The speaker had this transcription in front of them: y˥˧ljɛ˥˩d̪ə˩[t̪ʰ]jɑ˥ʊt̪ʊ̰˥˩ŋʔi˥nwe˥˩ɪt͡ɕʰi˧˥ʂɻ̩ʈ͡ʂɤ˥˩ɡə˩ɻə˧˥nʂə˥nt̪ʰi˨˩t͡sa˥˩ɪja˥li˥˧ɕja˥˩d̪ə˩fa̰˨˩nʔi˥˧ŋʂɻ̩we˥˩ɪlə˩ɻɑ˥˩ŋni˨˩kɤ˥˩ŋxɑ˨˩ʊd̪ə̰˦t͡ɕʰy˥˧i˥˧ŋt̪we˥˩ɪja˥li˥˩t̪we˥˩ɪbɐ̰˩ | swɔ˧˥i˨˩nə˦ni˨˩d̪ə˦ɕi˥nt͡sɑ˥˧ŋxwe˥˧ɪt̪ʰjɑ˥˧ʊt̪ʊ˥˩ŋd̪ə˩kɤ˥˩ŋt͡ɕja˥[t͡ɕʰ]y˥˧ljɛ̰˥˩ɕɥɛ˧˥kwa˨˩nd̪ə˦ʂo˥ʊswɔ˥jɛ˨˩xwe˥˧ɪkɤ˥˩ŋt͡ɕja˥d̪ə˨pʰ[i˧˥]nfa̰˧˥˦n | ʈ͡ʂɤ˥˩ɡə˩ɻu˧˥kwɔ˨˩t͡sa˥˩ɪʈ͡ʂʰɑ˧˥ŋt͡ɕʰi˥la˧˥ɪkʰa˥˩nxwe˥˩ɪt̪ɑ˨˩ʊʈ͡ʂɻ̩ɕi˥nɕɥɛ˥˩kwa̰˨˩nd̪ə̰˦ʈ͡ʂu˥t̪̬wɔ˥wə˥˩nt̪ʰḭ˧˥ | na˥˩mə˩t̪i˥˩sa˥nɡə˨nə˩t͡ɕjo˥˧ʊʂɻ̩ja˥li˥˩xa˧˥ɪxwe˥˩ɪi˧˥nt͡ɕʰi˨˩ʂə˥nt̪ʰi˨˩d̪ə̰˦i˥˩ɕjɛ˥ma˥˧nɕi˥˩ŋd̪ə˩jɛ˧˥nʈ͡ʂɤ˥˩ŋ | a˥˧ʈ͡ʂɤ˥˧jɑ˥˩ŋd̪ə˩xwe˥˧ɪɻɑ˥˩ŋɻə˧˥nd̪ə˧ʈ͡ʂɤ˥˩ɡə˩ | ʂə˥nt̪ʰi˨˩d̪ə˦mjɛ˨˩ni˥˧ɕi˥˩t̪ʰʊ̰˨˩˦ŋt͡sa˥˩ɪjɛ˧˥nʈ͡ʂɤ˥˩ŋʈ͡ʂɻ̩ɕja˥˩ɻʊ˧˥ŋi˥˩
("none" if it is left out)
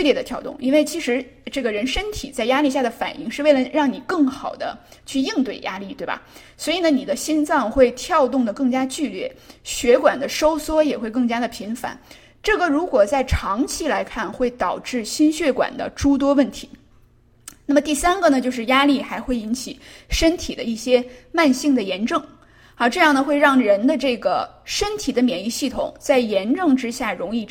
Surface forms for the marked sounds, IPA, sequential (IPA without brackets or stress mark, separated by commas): t̪ʰ, t͡ɕ, i˧˥